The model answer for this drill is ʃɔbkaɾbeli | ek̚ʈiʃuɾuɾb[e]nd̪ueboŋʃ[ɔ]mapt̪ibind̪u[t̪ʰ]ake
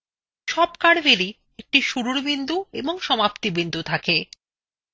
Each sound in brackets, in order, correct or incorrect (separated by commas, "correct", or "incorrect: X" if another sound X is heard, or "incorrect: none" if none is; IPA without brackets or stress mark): incorrect: i, correct, correct